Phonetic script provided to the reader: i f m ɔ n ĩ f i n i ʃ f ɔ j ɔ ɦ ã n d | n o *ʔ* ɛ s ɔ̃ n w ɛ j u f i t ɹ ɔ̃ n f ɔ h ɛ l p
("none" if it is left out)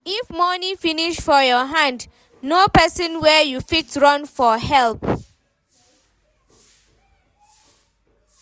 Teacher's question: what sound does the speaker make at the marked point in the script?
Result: p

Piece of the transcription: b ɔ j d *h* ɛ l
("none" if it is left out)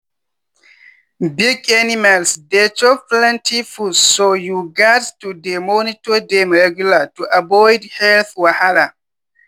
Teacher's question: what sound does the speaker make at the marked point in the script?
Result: h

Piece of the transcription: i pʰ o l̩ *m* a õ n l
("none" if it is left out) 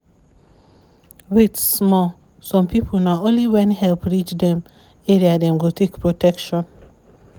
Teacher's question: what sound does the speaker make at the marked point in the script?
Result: n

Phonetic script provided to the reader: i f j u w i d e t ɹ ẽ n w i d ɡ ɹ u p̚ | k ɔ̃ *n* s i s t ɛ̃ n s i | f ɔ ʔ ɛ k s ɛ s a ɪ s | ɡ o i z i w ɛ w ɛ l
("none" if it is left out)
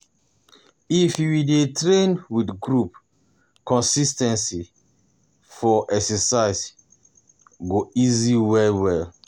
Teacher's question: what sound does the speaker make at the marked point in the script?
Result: n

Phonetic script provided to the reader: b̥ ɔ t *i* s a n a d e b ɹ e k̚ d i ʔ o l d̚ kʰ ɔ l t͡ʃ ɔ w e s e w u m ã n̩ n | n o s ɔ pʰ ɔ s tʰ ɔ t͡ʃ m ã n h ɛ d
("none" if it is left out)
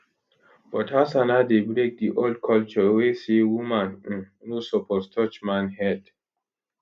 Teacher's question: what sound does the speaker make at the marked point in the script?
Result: a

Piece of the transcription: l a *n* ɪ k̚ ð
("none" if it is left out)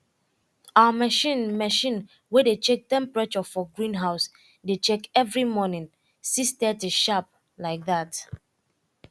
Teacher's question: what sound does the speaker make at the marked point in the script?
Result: none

